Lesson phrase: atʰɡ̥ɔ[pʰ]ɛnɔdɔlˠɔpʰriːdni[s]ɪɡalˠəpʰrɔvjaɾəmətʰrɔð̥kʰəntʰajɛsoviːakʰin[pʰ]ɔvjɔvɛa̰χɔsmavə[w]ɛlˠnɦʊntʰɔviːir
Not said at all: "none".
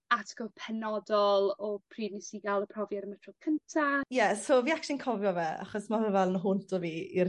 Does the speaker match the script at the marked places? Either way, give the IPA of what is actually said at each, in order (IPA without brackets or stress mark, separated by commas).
pʰ, s, kʰ, v